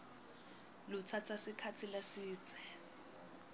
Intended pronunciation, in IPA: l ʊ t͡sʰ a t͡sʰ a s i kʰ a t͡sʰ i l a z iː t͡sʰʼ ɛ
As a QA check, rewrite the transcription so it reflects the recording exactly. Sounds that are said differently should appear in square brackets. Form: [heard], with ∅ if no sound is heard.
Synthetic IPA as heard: l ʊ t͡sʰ a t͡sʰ a s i kʰ a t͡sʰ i l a [s] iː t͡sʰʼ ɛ